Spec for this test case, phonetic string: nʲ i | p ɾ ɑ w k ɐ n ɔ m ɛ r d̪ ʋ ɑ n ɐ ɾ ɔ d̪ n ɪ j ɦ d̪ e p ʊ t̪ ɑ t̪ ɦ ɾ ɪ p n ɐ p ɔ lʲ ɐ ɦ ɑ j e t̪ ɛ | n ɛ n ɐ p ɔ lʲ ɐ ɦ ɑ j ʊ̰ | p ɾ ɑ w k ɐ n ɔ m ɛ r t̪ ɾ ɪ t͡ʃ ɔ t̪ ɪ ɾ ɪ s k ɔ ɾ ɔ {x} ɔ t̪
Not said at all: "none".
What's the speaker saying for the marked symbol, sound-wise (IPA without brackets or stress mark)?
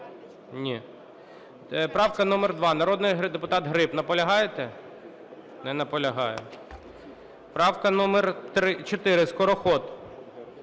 x